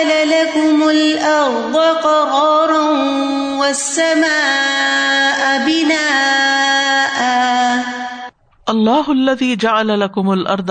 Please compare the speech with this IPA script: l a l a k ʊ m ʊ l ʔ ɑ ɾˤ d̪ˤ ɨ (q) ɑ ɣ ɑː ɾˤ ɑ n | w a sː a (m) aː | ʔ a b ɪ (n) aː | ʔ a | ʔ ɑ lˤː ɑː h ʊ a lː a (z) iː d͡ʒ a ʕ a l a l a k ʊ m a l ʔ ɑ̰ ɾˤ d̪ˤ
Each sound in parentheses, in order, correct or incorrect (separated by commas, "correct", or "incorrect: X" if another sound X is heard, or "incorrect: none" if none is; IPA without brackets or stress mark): correct, correct, correct, incorrect: ð